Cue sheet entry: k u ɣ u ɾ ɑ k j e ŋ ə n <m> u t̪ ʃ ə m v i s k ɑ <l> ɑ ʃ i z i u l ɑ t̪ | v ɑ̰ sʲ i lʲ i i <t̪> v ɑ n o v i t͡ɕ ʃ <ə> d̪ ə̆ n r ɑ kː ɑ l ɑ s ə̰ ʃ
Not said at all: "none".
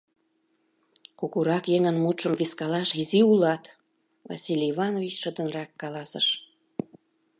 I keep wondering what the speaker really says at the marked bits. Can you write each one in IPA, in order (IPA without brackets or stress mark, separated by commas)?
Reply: m, l, none, ə